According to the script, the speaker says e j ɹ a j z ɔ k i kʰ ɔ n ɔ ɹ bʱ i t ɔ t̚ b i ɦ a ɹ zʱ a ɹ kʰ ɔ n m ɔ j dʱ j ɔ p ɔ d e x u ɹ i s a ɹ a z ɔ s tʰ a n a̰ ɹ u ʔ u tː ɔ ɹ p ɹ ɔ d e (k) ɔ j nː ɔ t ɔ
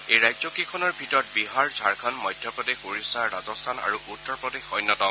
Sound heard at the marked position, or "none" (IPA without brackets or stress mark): x